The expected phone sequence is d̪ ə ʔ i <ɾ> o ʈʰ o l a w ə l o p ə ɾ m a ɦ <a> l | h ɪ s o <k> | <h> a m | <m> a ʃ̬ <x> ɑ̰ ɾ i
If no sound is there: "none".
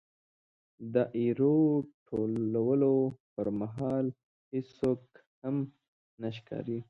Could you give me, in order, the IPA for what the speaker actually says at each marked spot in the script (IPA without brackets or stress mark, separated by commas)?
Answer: ɾ, ɑ, k, h, n, k